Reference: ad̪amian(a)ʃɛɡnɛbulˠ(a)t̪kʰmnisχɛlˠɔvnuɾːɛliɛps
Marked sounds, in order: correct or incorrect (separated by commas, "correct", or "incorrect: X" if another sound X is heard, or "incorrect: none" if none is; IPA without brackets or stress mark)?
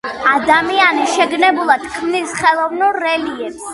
incorrect: i, correct